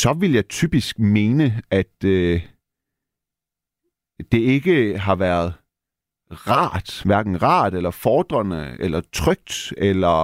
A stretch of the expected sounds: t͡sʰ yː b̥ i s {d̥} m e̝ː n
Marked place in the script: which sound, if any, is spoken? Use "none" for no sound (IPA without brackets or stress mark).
ɡ̥